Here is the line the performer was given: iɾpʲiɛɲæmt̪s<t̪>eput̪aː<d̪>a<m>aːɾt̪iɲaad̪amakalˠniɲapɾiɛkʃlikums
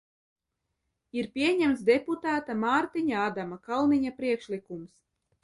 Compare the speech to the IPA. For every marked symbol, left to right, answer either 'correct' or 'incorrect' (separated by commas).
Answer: incorrect, incorrect, correct